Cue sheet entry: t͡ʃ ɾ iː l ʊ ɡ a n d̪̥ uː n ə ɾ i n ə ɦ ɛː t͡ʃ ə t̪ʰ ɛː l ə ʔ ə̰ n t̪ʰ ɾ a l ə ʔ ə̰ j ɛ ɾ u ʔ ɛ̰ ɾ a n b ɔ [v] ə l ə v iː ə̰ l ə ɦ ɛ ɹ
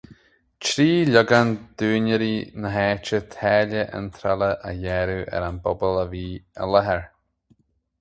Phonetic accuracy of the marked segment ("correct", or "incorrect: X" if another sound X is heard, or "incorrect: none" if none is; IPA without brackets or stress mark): incorrect: b